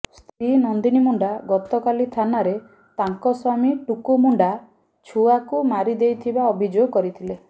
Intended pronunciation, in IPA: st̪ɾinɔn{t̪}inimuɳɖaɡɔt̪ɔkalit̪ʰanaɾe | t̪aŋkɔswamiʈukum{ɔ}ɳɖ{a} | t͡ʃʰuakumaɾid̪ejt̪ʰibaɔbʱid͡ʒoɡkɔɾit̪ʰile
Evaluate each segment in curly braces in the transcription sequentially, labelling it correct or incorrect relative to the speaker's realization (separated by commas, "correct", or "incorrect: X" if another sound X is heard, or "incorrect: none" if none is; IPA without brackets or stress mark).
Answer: incorrect: d̪, incorrect: u, correct